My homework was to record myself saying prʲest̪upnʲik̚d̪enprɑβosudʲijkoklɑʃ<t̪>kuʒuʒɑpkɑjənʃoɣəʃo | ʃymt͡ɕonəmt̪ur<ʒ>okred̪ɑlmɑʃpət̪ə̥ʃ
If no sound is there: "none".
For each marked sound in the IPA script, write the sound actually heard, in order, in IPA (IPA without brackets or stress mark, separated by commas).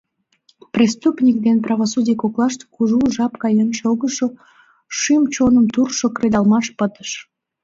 t̪, ʃ